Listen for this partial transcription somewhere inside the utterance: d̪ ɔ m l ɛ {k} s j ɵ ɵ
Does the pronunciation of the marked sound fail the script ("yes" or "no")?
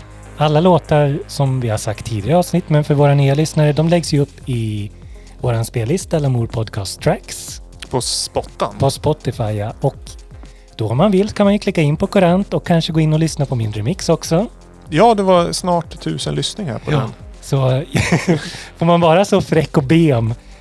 yes